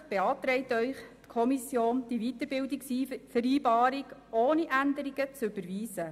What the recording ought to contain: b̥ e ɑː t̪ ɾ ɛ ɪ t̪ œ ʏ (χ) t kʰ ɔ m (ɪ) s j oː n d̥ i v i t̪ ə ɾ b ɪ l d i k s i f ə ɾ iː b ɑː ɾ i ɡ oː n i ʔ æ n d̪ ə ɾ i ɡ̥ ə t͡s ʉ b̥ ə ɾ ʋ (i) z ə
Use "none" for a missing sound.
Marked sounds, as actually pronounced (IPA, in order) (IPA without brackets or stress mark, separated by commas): χ, i, iː